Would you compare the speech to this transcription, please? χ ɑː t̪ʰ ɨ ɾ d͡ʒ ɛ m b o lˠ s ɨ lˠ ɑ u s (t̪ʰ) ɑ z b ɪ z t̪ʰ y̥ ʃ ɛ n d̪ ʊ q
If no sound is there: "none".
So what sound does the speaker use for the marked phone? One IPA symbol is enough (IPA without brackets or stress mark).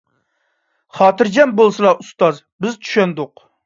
t̪